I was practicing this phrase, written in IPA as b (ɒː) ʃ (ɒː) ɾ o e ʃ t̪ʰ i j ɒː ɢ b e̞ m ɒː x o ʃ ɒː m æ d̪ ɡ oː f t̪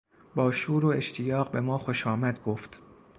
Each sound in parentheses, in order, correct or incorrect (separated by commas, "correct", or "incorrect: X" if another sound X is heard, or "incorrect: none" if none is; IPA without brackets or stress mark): correct, incorrect: uː